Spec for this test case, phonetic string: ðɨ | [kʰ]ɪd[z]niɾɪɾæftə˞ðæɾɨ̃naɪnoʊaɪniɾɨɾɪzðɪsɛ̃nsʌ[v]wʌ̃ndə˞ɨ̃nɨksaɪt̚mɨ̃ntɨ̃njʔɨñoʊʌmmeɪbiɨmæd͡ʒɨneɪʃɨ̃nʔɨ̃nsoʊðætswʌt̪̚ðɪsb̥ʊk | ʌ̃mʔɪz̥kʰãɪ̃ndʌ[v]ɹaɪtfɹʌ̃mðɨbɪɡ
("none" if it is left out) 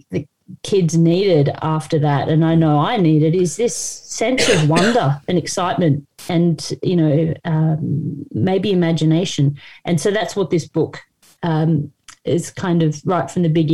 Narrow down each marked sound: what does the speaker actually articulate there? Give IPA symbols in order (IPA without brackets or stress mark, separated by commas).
kʰ, z, v, v